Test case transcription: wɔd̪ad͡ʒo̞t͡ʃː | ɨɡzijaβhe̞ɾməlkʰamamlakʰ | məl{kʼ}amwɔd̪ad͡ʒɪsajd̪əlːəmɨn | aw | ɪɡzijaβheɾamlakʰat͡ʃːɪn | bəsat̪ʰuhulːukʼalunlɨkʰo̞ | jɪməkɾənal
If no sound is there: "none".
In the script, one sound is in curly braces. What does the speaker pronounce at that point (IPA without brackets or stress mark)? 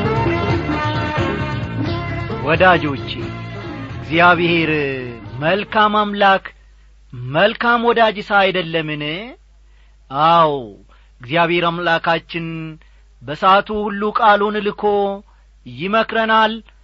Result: k